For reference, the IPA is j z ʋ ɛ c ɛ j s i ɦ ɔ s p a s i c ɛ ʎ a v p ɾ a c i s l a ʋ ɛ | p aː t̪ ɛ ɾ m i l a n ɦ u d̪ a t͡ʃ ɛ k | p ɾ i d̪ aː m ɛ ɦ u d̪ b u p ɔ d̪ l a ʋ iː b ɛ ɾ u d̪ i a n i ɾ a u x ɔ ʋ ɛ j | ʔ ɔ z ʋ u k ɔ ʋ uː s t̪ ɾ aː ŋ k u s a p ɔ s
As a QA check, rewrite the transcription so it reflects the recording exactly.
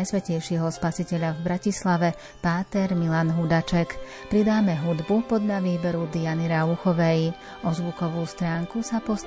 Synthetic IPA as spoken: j s ʋ ɛ c ɛ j ʃ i ɦ ɔ s p a s i c ɛ ʎ a v b ɾ a c i s l a ʋ ɛ | p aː t̪ ɛ ɾ m i l a n ɦ u d̪ a t͡ʃ ɛ k | p ɾ i d̪ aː m ɛ ɦ u d̪ b u p ɔ d̪ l a ʋ iː b ɛ ɾ u d̪ i a n i ɾ a u x ɔ ʋ ɛ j | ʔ ɔ z ʋ u k ɔ ʋ uː s t̪ ɾ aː ŋ k u s a p ɔ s